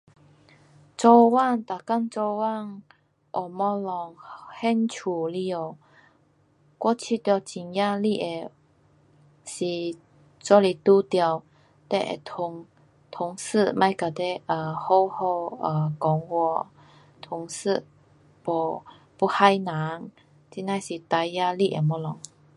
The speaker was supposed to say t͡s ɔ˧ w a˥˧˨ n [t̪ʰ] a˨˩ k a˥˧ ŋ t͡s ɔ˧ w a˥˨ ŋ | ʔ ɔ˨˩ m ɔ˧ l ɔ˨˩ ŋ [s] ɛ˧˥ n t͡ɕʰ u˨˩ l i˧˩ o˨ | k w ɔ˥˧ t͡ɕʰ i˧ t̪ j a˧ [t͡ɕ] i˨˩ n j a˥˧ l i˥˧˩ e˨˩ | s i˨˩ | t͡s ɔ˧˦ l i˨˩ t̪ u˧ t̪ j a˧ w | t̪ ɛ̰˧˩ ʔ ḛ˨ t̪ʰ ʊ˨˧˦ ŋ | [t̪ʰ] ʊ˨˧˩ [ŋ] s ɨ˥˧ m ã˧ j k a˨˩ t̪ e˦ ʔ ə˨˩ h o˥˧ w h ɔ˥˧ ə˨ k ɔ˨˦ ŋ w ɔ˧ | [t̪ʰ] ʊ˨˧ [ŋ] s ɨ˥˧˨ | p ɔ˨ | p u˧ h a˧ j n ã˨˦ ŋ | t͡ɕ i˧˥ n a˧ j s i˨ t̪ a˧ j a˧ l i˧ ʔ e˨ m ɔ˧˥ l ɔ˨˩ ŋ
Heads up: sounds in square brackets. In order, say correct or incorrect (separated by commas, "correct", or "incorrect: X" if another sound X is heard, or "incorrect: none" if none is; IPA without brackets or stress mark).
incorrect: t̪, incorrect: h, correct, correct, correct, correct, correct